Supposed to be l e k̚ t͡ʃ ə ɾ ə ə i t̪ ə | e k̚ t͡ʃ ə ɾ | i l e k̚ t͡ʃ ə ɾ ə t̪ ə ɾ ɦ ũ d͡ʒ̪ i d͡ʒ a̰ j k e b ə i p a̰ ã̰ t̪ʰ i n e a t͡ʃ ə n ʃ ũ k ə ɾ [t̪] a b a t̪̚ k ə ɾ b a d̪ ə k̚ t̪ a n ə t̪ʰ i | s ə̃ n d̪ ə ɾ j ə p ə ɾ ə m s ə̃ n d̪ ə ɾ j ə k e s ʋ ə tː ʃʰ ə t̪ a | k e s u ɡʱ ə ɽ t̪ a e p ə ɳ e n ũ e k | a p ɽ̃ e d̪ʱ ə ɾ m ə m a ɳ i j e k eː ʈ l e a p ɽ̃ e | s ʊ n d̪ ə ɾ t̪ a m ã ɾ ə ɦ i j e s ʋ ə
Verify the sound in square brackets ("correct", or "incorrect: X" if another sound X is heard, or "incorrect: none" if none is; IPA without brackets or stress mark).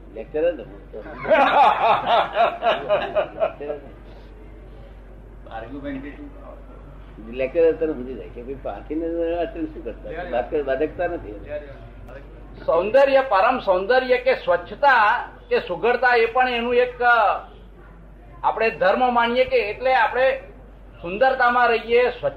correct